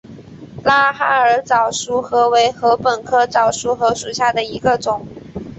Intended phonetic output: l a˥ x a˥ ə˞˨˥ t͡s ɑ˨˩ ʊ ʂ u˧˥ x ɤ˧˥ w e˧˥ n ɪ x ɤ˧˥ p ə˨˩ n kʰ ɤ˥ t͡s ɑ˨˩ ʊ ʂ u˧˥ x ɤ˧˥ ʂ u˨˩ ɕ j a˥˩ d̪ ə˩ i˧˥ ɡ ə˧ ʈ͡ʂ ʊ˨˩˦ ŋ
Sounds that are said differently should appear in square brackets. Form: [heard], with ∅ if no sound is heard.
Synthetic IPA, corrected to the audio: l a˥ x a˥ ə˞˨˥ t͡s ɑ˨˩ ʊ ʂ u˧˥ x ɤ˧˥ w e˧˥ [∅] ɪ x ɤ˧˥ p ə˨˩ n kʰ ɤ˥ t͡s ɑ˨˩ ʊ ʂ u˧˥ x ɤ˧˥ ʂ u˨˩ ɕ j a˥˩ d̪ ə˩ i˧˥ ɡ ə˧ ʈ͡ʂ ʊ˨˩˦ ŋ